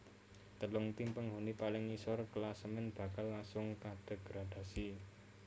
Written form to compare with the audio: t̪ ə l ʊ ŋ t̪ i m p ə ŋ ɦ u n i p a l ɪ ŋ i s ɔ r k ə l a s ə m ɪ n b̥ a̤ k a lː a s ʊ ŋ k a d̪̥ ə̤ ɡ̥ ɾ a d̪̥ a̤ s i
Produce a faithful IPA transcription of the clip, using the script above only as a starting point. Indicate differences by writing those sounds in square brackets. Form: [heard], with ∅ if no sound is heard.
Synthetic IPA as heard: t̪ ə l ʊ ŋ t̪ i m p ə ŋ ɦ u n i p a l ɪ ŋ i s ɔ r k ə l a s ə m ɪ n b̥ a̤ k a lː a s ʊ ŋ k a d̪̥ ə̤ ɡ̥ ɾ a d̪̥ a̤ s i